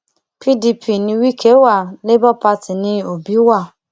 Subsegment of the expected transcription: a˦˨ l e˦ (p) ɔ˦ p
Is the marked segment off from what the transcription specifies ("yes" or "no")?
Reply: yes